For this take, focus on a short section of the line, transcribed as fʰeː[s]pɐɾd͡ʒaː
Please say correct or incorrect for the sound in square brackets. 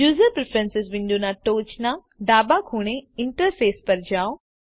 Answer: correct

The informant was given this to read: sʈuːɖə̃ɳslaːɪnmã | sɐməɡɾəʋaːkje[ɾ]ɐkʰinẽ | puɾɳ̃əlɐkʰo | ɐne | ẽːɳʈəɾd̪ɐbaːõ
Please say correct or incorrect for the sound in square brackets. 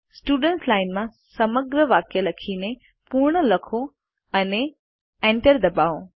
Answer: incorrect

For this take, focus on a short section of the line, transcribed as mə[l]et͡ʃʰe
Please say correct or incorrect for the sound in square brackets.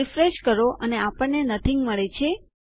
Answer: incorrect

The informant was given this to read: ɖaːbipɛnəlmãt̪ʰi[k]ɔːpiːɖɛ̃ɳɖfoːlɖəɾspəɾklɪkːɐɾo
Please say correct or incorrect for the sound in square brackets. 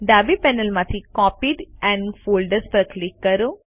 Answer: correct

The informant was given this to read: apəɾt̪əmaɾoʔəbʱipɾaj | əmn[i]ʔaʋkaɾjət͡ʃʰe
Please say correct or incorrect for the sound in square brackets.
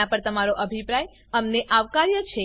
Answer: incorrect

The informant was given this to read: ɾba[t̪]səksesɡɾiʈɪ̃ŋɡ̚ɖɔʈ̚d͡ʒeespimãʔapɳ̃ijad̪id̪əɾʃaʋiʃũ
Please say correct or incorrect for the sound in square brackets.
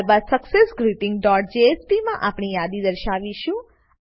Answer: incorrect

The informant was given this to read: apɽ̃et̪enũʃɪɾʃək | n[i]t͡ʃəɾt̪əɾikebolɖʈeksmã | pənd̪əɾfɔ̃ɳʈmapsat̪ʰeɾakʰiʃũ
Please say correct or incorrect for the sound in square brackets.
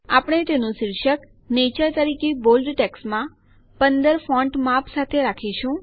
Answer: incorrect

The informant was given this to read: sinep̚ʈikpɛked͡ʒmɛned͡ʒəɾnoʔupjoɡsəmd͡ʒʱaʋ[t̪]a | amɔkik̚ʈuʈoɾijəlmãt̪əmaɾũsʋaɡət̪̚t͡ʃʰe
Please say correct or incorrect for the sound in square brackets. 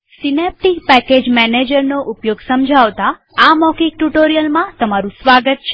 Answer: correct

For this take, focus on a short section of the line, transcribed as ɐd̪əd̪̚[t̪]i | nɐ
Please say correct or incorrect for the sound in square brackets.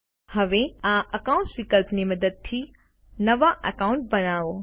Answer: incorrect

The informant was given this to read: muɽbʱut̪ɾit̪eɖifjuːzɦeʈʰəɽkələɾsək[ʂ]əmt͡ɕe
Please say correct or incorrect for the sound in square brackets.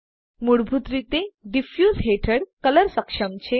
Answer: correct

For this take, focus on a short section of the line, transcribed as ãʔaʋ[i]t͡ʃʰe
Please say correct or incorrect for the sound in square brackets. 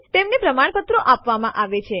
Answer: incorrect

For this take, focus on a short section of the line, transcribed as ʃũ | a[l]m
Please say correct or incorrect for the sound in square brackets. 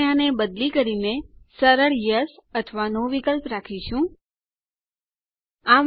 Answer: incorrect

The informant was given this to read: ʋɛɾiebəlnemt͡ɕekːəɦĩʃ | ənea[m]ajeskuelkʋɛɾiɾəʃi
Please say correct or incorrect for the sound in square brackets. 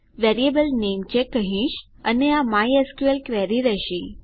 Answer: correct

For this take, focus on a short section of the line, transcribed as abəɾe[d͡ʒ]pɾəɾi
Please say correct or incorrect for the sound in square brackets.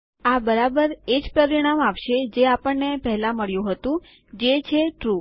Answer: correct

